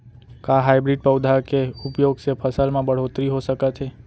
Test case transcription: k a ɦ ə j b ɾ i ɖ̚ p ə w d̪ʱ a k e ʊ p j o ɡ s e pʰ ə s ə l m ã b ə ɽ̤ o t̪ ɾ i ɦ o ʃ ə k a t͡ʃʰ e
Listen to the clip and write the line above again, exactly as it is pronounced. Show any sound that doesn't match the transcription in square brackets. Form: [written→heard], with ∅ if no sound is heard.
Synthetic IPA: k a ɦ [ə→a] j b ɾ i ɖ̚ p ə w d̪ʱ a k e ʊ p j o ɡ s e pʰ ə s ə l m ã b ə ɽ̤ o t̪ ɾ i ɦ o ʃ ə k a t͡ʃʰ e